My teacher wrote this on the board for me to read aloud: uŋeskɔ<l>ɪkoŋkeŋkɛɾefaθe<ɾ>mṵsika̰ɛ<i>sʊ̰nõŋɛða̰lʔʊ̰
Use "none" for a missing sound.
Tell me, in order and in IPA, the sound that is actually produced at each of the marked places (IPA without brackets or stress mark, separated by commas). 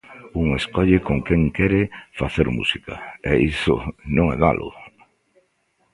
ʎ, ɾ, i